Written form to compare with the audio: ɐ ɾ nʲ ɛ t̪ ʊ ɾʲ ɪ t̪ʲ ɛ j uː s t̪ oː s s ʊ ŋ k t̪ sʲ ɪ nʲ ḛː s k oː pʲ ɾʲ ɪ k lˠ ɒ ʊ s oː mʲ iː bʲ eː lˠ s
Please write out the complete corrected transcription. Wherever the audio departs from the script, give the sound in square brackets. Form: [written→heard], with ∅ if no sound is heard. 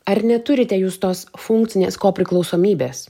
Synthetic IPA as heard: ɐ ɾ nʲ ɛ t̪ ʊ ɾʲ ɪ t̪ʲ ɛ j uː s t̪ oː s [s→f] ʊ ŋ k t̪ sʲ ɪ nʲ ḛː s k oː pʲ ɾʲ ɪ k lˠ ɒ ʊ s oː mʲ iː bʲ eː [lˠ→∅] s